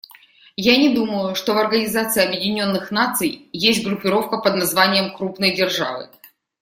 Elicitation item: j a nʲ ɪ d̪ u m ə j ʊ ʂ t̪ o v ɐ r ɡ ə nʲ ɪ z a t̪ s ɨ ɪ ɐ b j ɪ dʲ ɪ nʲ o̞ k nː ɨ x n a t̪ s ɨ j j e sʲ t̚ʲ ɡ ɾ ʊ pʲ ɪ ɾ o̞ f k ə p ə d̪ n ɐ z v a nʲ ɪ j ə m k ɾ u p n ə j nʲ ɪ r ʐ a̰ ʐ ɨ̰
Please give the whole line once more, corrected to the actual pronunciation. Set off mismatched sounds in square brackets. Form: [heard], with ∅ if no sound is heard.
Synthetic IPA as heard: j a nʲ ɪ d̪ u m ə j ʊ ʂ t̪ o v ɐ r ɡ ə nʲ ɪ z a t̪ s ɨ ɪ ɐ b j ɪ dʲ ɪ nʲ o̞ [∅] nː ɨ x n a t̪ s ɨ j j e sʲ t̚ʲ ɡ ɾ ʊ pʲ ɪ ɾ o̞ f k ə p ə d̪ n ɐ z v a nʲ ɪ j ə m k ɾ u p n ə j [dʲ] ɪ r ʐ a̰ [v] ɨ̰